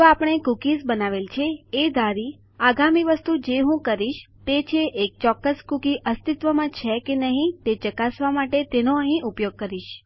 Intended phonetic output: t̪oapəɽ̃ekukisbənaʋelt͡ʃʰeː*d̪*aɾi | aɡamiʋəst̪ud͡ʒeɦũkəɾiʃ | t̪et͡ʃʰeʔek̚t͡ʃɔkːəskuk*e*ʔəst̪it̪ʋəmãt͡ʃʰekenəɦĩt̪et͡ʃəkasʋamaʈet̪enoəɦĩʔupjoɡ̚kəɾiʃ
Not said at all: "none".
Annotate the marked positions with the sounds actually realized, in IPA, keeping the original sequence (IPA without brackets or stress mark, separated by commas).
d̪, i